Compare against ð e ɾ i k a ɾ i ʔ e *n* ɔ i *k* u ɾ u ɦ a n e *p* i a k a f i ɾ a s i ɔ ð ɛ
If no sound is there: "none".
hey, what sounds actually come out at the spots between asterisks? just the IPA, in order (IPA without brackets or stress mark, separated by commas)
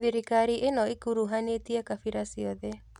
n, k, t